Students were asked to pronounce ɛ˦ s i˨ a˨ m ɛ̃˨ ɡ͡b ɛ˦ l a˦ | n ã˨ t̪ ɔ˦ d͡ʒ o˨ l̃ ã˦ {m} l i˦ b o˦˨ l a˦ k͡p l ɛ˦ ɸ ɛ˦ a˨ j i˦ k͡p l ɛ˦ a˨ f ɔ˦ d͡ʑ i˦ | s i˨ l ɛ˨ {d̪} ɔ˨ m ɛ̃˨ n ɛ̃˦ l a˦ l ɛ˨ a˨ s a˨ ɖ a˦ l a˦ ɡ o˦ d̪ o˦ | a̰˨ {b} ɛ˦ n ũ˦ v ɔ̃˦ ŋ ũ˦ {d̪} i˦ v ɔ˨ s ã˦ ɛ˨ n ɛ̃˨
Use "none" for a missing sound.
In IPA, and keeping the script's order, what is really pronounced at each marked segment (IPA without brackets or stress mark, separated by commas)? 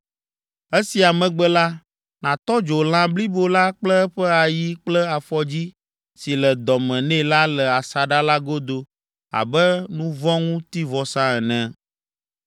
b, d̪, b, t̪